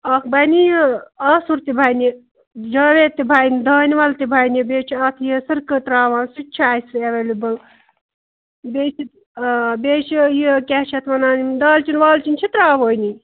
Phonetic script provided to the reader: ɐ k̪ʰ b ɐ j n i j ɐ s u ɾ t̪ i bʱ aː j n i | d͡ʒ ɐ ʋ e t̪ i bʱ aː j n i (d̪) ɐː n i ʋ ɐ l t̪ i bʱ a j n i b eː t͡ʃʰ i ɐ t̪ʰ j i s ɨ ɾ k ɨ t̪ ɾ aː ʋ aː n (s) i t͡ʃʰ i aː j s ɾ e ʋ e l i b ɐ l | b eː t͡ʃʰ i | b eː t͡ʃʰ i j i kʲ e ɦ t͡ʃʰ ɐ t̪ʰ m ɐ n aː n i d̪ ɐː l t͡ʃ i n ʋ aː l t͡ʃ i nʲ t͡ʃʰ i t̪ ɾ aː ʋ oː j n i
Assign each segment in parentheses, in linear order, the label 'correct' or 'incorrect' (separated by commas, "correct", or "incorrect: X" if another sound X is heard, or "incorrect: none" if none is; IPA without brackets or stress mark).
correct, correct